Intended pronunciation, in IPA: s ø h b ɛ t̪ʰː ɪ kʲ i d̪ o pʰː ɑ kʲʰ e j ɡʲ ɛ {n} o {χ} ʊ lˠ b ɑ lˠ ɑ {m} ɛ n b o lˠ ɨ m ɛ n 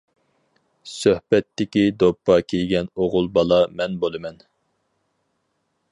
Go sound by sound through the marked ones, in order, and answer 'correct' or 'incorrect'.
correct, incorrect: ʁ, correct

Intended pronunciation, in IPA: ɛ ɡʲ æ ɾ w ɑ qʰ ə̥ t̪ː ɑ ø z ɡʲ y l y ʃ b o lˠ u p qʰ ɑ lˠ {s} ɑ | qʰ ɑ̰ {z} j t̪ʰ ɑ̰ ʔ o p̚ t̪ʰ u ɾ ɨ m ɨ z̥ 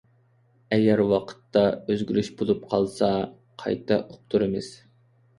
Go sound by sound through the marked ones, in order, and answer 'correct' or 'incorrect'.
correct, incorrect: none

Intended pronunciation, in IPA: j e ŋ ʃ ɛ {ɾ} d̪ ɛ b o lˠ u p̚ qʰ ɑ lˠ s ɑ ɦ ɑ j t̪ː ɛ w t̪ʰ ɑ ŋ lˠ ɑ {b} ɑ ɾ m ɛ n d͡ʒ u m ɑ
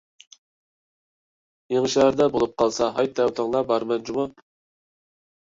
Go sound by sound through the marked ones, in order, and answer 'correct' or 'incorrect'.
correct, correct

